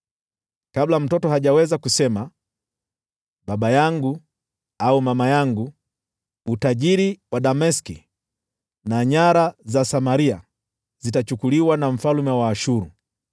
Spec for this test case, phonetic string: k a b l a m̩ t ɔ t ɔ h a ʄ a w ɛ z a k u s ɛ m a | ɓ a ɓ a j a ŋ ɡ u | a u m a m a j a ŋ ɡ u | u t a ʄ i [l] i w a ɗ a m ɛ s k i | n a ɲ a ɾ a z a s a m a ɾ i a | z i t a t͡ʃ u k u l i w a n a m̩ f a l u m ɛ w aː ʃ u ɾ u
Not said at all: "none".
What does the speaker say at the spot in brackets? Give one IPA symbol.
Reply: ɾ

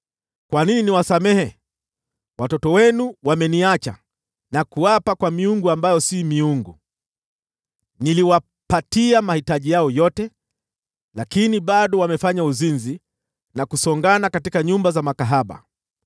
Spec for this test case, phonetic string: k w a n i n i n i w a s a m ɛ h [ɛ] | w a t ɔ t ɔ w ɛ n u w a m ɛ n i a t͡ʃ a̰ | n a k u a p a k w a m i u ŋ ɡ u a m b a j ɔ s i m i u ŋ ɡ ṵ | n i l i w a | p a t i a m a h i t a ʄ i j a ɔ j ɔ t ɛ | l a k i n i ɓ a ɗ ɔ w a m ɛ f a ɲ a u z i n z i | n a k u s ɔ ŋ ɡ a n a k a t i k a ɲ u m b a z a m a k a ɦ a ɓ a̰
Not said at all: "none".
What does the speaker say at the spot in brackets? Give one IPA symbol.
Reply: ɛ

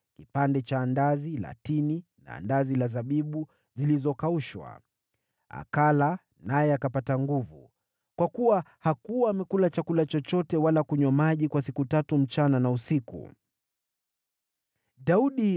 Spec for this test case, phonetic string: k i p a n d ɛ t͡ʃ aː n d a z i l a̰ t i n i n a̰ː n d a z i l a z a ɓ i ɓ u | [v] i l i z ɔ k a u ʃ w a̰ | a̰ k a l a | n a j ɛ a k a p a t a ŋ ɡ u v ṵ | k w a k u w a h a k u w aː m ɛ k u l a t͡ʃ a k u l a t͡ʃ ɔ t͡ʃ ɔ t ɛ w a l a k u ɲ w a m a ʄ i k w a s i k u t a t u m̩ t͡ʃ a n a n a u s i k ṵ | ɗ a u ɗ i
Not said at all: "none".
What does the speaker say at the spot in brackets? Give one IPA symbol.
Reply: z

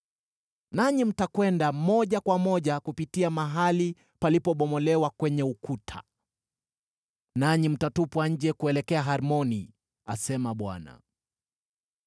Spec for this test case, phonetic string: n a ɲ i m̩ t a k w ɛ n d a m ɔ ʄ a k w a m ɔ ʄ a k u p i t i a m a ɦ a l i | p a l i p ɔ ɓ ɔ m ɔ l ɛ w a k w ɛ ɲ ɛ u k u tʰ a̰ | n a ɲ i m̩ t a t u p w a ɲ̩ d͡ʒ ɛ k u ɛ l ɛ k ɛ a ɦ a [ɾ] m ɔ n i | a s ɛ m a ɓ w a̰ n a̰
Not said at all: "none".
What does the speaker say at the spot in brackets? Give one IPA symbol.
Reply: ɾ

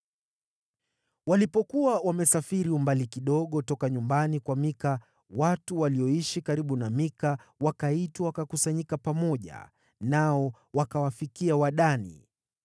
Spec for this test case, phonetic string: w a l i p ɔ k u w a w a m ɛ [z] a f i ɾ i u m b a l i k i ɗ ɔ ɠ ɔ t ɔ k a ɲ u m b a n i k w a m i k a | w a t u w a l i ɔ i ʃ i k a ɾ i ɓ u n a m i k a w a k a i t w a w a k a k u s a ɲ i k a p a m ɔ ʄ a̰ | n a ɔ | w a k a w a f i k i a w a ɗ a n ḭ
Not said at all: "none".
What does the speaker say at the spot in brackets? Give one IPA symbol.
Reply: s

